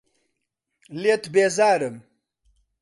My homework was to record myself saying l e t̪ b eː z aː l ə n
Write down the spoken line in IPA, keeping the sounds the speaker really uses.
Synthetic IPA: l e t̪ b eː z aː ɾ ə m